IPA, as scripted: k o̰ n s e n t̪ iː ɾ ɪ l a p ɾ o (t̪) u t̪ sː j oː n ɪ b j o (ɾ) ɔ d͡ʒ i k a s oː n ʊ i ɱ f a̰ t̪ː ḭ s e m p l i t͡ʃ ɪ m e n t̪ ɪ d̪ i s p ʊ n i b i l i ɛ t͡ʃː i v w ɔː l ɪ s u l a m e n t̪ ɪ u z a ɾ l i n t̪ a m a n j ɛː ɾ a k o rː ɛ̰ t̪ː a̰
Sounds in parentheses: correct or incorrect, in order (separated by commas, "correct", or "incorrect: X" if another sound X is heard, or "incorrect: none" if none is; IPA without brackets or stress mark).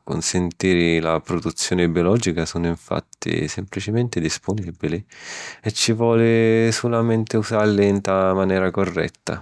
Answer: incorrect: d̪, incorrect: l